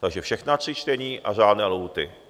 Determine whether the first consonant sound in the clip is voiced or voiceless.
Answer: voiceless